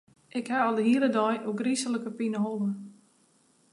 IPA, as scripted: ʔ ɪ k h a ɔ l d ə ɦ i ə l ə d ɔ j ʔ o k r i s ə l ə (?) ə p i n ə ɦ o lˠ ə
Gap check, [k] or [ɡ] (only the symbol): k